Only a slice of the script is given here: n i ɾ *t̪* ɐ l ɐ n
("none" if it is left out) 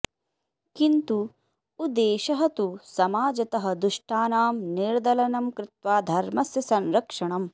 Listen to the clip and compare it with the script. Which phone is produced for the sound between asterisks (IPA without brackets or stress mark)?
d̪